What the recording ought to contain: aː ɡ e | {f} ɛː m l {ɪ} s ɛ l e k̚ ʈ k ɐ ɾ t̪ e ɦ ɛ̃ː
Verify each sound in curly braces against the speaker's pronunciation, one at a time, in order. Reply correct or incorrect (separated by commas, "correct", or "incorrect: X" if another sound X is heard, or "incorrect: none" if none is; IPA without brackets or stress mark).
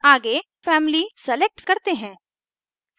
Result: correct, incorrect: i